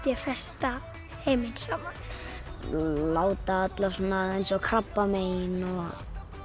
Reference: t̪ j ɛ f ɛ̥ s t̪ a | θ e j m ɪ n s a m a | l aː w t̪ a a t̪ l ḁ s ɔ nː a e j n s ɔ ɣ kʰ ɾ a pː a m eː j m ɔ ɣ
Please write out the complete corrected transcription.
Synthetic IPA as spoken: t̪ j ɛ f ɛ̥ s t̪ a | h e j m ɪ n s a m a | l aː w t̪ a a t̪ l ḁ s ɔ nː a e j n s ɔ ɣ kʰ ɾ a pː a m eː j n ɔ ɣ